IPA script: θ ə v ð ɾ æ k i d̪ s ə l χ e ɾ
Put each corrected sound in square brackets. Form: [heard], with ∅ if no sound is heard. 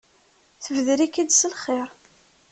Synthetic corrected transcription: θ ə v ð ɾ [i] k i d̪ s ə l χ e ɾ